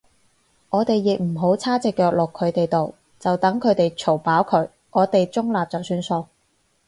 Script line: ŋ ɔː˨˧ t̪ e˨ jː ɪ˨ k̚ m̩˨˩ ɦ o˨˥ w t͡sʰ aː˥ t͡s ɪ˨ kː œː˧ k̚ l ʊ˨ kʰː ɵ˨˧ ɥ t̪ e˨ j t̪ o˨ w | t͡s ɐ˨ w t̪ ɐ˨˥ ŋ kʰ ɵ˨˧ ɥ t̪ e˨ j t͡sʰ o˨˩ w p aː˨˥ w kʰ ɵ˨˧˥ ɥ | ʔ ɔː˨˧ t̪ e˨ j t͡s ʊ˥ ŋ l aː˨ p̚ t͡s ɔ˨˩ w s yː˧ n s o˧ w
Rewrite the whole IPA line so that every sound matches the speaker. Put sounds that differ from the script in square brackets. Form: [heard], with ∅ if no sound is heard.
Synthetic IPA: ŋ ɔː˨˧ t̪ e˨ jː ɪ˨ k̚ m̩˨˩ ɦ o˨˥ w t͡sʰ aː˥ t͡s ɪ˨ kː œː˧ k̚ l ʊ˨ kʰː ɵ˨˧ ɥ t̪ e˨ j t̪ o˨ w | t͡s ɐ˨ w t̪ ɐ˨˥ ŋ kʰ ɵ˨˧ ɥ t̪ e˨ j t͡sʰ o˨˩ w p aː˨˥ w kʰ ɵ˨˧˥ ɥ | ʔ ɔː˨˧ t̪ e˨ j t͡s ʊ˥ ŋ l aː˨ p̚ t͡s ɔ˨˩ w s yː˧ n s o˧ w